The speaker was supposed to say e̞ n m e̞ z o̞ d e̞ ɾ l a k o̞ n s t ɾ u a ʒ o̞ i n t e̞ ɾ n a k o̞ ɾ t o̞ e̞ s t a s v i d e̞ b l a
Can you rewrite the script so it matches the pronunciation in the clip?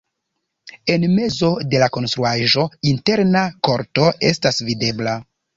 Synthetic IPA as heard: e̞ n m e̞ z o̞ d e̞ l a k o̞ n s t ɾ u a ʒ o̞ i n t e̞ ɾ n a k o̞ ɾ t o̞ e̞ s t a s v i d e̞ b l a